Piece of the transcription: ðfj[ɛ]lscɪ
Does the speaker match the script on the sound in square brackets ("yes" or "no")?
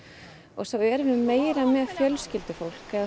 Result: no